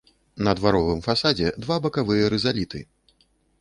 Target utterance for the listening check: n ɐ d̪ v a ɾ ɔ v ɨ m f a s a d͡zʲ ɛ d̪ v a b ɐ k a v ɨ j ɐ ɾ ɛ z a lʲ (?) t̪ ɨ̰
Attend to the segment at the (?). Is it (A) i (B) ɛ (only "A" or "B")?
A